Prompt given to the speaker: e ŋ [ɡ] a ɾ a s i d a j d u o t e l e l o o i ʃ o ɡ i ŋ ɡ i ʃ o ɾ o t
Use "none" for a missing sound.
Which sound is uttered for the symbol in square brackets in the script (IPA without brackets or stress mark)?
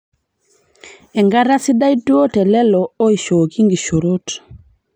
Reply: ɡ